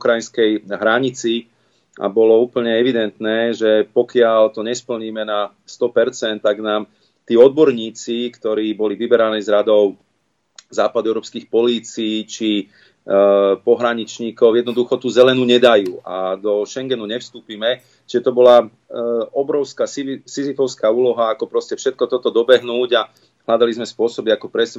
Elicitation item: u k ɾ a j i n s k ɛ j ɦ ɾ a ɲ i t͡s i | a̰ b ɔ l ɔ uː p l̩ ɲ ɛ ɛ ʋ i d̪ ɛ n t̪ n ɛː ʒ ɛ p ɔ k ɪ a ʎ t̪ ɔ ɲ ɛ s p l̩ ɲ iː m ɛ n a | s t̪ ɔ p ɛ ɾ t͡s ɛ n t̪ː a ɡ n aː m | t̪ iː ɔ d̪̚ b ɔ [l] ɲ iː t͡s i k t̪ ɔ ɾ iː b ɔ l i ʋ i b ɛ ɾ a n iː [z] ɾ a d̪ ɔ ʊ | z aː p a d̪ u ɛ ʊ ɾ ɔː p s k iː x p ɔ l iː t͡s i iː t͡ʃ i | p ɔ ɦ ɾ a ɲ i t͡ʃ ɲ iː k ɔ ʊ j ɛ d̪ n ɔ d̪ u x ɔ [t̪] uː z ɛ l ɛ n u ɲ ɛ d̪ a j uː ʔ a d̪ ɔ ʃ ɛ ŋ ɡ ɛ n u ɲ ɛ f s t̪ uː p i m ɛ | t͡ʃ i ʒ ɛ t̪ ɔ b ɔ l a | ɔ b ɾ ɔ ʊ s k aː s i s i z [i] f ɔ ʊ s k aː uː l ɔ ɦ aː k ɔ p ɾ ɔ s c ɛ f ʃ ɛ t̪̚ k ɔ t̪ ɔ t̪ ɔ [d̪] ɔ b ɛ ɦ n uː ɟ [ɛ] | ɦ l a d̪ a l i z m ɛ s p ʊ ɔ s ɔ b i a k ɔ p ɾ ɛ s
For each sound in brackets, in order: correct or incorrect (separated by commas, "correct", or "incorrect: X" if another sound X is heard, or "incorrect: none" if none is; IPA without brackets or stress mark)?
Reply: incorrect: ɾ, correct, correct, correct, correct, incorrect: a